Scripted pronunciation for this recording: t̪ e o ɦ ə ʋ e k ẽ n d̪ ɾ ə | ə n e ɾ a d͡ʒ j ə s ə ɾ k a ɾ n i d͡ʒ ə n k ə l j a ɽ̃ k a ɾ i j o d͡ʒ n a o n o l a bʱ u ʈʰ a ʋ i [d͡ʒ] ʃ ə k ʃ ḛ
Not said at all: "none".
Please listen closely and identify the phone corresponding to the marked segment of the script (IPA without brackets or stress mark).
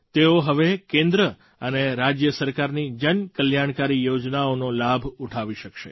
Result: none